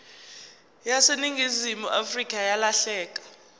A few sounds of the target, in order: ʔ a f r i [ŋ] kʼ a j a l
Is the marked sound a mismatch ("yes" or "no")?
yes